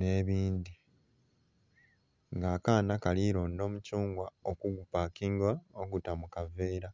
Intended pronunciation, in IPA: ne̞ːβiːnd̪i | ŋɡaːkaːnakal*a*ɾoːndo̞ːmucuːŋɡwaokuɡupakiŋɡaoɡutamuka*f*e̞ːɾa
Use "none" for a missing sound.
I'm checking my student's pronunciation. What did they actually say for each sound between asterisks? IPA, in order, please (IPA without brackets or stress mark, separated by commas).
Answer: i, v